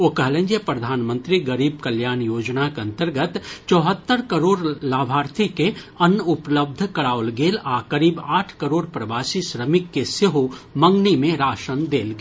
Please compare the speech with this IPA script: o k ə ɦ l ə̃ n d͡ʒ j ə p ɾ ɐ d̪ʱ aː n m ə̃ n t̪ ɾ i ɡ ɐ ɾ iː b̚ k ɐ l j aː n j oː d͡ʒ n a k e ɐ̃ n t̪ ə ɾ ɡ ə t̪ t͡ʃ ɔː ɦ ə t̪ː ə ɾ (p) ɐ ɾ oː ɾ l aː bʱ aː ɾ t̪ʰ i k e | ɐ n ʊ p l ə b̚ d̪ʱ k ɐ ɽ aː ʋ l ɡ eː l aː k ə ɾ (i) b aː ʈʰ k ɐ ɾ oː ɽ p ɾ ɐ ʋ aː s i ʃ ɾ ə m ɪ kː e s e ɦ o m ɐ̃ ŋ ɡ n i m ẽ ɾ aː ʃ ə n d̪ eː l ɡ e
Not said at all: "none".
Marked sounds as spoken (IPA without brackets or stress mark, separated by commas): k, iː